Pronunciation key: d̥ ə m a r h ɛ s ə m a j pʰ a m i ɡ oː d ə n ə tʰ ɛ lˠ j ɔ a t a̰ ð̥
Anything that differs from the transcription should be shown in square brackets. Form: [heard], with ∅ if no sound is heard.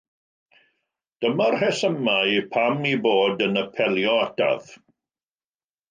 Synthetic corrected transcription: d̥ ə m a r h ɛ s ə m a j pʰ a m i [b] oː d ə n ə [pʰ] ɛ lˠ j ɔ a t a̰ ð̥

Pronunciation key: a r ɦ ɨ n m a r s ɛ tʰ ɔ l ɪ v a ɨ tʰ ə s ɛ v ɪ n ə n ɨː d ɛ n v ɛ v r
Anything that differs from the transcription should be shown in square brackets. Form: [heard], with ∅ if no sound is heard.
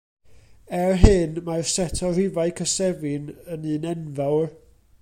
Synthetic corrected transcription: [ɛ] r ɦ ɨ n m a r s ɛ tʰ ɔ [r] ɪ v a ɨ [kʰ] ə s ɛ v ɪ n ə n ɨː [n] ɛ n v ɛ [w] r

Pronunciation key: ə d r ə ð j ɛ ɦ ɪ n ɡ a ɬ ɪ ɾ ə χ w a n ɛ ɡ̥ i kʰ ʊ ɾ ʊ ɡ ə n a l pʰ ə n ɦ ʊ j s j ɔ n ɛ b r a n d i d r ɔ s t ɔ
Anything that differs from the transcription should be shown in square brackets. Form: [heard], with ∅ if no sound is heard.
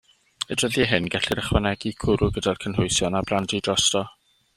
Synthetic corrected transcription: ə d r ə ð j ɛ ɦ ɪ n ɡ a ɬ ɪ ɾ ə χ w a n ɛ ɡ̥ i kʰ ʊ ɾ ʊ ɡ ə [d] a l [kʰ] ə n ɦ ʊ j s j ɔ n [a] b r a n d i d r ɔ s t ɔ

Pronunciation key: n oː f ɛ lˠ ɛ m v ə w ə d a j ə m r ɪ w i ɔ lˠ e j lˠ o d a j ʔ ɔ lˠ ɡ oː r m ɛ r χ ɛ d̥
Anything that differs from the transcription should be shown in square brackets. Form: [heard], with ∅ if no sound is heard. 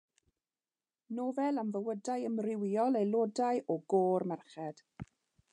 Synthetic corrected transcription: n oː [v] ɛ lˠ [a] m v ə w ə d a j ə m r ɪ w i ɔ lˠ e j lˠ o d a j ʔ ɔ [∅] ɡ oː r m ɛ r χ ɛ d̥

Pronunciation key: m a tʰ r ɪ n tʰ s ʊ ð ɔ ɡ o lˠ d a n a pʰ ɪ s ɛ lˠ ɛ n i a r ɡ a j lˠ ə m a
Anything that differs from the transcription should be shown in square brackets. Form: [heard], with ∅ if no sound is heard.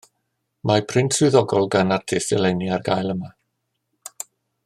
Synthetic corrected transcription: m a [pʰ] r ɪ n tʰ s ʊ ð ɔ ɡ [ɔ] lˠ [ɡ] a n a [tʰ] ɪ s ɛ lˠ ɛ n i a r ɡ a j lˠ ə m a

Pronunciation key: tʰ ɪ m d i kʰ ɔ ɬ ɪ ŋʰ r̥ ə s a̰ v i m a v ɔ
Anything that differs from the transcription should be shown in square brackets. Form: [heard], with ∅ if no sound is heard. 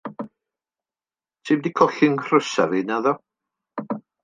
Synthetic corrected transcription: tʰ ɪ m d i kʰ ɔ ɬ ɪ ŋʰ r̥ ə s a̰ v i [n] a [ð] ɔ

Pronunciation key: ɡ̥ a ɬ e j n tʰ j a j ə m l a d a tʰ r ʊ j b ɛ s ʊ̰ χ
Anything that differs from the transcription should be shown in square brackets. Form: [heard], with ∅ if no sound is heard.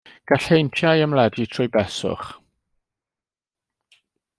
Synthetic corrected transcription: ɡ̥ a ɬ e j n tʰ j a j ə m l [ɛ] d [i] tʰ r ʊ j b ɛ s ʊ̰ χ

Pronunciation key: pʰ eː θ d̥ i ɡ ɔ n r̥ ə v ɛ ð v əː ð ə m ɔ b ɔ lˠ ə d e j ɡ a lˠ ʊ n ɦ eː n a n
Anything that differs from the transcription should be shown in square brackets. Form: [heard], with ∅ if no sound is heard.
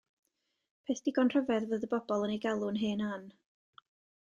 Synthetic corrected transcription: pʰ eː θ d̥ i ɡ ɔ n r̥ ə v ɛ ð v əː ð ə [b] ɔ b ɔ lˠ ə [n] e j ɡ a lˠ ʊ n ɦ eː n a n

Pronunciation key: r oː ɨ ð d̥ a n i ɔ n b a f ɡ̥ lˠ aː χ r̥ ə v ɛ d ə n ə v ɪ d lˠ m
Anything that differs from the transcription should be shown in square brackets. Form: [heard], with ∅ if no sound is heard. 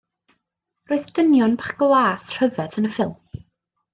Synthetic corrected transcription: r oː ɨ ð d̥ [ə] n [j] ɔ n b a [χ] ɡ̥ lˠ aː [s] r̥ ə v ɛ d ə n ə [f] ɪ [∅] lˠ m

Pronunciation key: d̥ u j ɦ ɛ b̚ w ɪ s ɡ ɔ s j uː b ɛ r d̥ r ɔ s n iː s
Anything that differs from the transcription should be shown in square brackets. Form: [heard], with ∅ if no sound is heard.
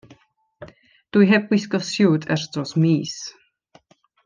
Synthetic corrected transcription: d̥ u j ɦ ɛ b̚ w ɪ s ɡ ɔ s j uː [d] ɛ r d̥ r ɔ s [m] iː s

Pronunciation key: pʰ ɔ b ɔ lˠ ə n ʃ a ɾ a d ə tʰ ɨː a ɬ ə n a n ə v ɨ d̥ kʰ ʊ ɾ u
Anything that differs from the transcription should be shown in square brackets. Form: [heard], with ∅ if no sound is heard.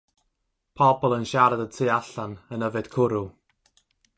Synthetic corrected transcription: pʰ ɔ b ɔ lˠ ə n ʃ a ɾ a d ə tʰ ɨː a ɬ [a] n [ə] n ə v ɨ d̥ kʰ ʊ ɾ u

